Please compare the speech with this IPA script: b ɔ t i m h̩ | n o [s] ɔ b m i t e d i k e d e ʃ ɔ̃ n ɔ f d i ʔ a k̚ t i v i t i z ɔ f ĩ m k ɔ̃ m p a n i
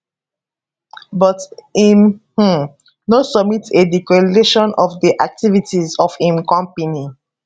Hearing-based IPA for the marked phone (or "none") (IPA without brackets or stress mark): s